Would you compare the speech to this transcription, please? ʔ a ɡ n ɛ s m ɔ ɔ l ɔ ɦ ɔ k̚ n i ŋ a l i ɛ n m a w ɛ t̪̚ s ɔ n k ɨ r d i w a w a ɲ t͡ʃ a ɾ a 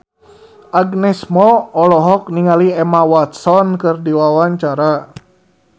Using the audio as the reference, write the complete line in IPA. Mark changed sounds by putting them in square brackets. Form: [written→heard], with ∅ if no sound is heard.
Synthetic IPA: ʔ a ɡ n ɛ s m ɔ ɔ l ɔ ɦ ɔ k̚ n i ŋ a l i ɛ [n→∅] m a w [ɛ→a] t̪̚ s ɔ n k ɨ r d i w a w a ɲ t͡ʃ a ɾ a